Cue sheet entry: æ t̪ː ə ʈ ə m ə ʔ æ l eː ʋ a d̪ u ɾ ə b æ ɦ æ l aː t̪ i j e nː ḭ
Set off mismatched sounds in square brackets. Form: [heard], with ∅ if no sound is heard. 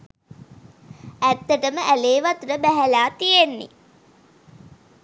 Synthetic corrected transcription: æ t̪ː ə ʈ ə m ə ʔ æ l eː ʋ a [t̪] u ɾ ə b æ ɦ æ l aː t̪ i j e nː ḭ